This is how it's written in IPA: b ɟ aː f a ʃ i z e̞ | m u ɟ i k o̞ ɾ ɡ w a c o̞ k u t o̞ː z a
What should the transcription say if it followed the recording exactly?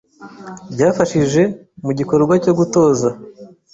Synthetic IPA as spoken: b ɟ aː f a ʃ i ʒ e̞ | m u ɟ i k o̞ ɾ ɡ w a c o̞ ɡ u t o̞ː z a

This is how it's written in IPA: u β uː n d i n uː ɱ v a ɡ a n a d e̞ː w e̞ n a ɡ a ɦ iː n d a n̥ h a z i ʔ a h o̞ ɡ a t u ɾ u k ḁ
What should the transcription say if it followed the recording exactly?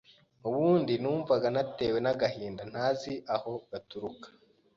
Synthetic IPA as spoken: u β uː n d i n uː ɱ v a ɡ a n a t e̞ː w e̞ n a ɡ a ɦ iː n d a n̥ h a z i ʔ a h o̞ ɡ a t u ɾ u k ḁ

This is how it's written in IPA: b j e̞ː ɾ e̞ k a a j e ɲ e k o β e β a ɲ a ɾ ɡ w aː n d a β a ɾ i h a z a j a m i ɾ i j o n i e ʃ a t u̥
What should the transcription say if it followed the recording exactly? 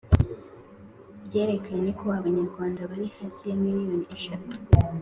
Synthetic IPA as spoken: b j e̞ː ɾ e̞ k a a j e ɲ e k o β a β a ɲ a ɾ ɡ w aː n d a β a ɾ i h a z i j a m i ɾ i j o n i e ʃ a t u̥

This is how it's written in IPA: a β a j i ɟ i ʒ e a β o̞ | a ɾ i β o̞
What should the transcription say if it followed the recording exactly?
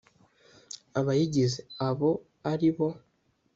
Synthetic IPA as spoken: a β a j i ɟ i z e a β o̞ | a ɾ i β o̞

